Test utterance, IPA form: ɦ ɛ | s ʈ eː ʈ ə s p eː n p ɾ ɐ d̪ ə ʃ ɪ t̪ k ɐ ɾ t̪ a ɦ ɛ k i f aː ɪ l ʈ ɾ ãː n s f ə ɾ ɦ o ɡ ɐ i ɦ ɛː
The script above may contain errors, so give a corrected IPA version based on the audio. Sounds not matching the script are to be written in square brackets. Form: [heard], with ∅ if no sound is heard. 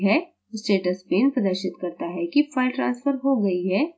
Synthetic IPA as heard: ɦ ɛ | s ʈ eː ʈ ə s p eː n p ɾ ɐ d̪ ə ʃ ɪ t̪ k ɐ ɾ t̪ a ɦ ɛ k i f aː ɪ l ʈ ɾ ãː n s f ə ɾ ɦ o ɡ ɐ i ɦ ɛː